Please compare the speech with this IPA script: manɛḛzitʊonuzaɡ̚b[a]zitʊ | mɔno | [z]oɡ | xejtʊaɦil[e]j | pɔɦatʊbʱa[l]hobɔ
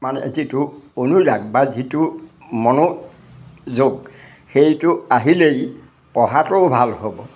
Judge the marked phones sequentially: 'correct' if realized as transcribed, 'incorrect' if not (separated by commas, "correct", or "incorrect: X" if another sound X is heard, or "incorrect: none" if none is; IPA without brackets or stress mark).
correct, correct, correct, correct